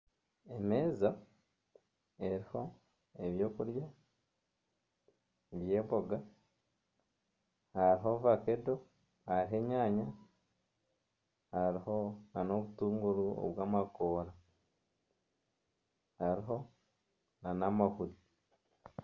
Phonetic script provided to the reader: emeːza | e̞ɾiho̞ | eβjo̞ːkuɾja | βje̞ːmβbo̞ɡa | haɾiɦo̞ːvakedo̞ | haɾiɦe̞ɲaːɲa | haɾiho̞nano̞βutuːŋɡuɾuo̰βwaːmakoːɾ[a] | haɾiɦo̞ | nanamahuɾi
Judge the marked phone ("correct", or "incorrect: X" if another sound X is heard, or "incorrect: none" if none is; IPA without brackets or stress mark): correct